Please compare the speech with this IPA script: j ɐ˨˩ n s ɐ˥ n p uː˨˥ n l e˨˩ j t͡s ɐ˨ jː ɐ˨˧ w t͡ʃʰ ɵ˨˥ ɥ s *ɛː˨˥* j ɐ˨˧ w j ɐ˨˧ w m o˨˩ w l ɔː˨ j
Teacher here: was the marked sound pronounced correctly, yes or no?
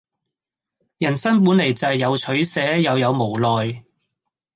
yes